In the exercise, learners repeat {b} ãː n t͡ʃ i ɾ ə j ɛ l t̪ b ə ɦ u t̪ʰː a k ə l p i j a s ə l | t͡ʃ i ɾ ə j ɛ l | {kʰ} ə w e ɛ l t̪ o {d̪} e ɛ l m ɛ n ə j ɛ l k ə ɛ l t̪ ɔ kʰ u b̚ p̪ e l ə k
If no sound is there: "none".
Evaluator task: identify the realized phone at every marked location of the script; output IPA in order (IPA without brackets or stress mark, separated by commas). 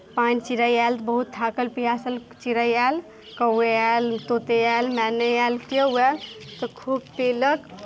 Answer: p, k, t̪